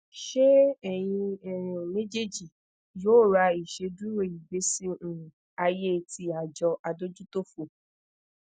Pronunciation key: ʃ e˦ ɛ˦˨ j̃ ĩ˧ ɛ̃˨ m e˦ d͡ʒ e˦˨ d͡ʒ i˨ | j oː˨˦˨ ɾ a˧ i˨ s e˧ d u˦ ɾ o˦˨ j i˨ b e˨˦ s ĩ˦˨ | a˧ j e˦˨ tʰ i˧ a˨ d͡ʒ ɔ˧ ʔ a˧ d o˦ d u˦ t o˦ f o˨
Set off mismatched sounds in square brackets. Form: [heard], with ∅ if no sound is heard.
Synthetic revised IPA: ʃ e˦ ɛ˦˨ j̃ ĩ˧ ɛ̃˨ m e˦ d͡ʒ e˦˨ d͡ʒ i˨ | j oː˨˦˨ ɾ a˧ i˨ [ʃ] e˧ d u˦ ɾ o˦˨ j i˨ b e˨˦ s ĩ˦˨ | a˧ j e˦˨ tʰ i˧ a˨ d͡ʒ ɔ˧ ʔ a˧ d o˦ [d͡ʒ] u˦ t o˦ f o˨